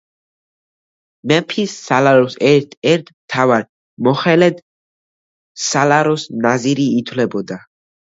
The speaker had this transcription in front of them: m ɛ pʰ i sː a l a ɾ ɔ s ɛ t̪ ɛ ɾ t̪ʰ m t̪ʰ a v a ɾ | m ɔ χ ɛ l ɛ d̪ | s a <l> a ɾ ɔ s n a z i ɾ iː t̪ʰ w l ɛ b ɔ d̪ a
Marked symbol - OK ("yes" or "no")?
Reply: yes